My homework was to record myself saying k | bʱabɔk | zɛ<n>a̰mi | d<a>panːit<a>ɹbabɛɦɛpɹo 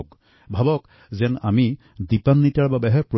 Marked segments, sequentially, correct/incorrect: correct, incorrect, correct

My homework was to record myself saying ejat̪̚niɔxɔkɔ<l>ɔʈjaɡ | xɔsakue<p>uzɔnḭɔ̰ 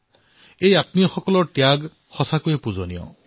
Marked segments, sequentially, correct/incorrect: correct, correct

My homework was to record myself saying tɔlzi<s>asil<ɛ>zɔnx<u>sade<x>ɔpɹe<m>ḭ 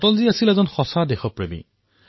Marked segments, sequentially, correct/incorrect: incorrect, correct, incorrect, correct, correct

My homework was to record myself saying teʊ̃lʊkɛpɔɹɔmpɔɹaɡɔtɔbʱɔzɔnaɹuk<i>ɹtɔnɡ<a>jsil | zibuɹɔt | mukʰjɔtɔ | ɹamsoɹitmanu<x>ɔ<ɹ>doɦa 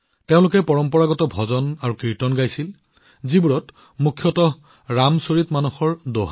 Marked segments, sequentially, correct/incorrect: correct, correct, correct, correct

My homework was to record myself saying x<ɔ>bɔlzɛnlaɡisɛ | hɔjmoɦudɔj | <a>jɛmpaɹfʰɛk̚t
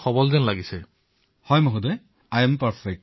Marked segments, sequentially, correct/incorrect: correct, correct

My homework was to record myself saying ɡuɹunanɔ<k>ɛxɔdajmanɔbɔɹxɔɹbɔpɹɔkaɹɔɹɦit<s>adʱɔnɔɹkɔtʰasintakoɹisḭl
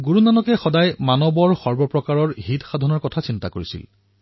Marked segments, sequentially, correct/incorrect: correct, incorrect

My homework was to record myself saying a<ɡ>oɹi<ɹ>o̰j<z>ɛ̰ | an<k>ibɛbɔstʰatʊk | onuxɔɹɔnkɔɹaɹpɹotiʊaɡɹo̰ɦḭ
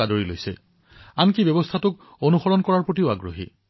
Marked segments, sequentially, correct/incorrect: incorrect, incorrect, incorrect, correct

